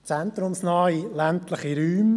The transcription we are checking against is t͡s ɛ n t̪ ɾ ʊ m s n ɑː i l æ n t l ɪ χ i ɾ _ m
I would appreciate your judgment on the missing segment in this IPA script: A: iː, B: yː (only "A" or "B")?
B